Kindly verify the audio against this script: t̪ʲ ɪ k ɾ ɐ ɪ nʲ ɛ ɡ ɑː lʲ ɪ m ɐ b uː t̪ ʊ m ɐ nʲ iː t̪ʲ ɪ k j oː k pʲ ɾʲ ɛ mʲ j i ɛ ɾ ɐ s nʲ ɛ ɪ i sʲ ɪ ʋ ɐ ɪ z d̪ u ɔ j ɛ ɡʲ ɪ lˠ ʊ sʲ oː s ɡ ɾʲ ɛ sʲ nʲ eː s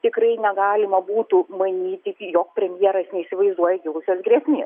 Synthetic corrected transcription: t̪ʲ ɪ k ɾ ɐ ɪ nʲ ɛ ɡ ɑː lʲ ɪ m ɐ b uː t̪ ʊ m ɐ nʲ iː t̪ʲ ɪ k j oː k pʲ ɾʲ ɛ mʲ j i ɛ ɾ ɐ s nʲ ɛ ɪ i sʲ ɪ ʋ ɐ ɪ z d̪ u ɔ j ɛ ɡʲ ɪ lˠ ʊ sʲ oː s ɡ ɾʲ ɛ sʲ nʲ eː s